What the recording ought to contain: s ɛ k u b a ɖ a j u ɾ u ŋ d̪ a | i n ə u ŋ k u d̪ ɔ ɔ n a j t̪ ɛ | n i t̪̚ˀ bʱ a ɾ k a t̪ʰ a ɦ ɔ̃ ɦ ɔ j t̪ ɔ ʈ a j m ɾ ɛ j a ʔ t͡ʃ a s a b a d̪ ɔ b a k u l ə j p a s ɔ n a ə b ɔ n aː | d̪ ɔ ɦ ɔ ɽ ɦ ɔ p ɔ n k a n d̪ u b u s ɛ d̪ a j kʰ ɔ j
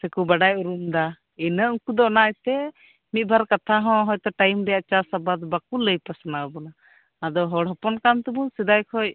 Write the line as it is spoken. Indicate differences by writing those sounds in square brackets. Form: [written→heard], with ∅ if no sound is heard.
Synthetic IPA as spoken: s ɛ k u b a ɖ a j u ɾ u [ŋ→m] d̪ a | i n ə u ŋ k u d̪ ɔ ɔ n a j t̪ ɛ | [n→m] i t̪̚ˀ bʱ a ɾ k a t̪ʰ a ɦ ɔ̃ ɦ ɔ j t̪ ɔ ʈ a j m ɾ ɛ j a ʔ t͡ʃ a s a b a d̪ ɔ b a k u l ə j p a s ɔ n a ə b ɔ n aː | d̪ ɔ ɦ ɔ ɽ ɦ ɔ p ɔ n k a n [d̪→t̪] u b u s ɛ d̪ a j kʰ ɔ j